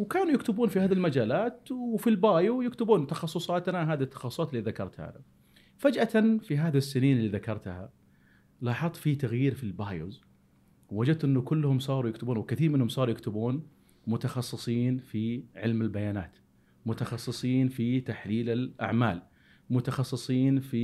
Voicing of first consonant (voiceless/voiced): voiced